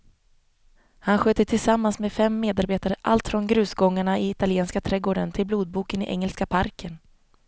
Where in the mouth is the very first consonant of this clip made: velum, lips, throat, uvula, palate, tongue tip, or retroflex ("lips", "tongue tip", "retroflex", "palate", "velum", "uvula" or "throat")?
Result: throat